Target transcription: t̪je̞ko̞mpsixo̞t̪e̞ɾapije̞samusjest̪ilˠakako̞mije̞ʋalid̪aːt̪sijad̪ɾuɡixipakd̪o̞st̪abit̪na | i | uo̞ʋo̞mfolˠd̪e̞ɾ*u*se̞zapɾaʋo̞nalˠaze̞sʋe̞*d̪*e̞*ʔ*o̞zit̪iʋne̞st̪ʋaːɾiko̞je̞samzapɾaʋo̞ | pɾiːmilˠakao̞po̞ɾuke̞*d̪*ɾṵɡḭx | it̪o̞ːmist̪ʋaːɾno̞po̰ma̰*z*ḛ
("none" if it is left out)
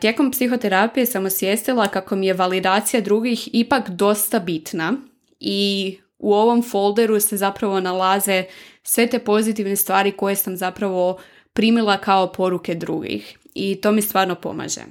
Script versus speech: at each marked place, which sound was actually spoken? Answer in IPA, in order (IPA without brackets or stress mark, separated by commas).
u, t̪, p, d̪, ʒ